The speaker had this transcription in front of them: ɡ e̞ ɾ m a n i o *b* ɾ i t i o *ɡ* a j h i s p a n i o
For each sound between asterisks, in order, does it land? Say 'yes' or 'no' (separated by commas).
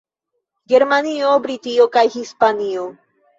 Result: yes, no